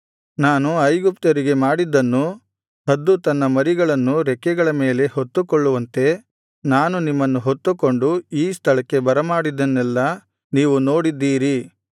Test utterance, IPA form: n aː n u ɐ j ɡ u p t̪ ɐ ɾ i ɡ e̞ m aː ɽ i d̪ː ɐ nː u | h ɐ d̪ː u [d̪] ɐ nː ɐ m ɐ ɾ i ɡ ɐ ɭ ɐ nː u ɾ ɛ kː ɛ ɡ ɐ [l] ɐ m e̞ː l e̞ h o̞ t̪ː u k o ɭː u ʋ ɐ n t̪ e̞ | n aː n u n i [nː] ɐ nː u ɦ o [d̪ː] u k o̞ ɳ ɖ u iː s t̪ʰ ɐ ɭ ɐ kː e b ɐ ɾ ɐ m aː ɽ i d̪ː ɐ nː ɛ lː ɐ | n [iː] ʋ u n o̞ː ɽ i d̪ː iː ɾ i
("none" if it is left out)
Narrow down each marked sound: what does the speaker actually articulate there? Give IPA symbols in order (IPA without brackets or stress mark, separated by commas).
t̪, ɭ, mː, t̪ː, iː